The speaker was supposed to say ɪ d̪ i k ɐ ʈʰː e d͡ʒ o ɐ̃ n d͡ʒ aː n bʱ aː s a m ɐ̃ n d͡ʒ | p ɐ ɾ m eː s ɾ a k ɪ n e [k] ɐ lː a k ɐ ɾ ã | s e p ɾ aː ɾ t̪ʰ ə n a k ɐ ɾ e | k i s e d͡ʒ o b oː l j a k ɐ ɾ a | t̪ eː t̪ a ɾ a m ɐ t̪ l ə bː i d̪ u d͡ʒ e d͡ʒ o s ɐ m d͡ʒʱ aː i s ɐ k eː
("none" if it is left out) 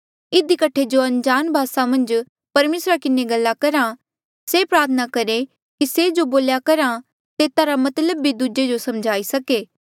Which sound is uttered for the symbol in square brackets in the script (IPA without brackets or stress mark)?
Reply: ɡ